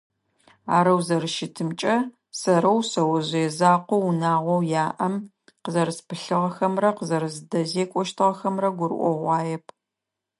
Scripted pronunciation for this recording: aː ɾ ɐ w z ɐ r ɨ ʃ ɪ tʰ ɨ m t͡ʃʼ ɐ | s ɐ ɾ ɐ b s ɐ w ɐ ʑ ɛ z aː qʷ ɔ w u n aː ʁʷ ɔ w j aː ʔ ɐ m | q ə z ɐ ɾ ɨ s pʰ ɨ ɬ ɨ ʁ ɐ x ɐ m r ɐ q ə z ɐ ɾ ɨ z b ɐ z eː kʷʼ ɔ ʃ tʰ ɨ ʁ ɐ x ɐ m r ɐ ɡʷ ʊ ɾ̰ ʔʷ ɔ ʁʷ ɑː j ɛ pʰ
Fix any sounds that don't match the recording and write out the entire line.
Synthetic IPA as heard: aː ɾ ɐ w z ɐ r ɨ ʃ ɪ tʰ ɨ m t͡ʃʼ ɐ | s ɐ ɾ ɐ w s ɐ w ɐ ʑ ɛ z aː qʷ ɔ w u n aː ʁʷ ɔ w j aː ʔ ɐ m | q ə z ɐ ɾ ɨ s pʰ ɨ ɬ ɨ ʁ ɐ x ɐ m r ɐ q ə z ɐ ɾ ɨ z d ɐ z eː kʷʼ ɔ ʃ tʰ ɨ ʁ ɐ x ɐ m r ɐ ɡʷ ʊ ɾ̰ ʔʷ ɔ ʁʷ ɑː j ɛ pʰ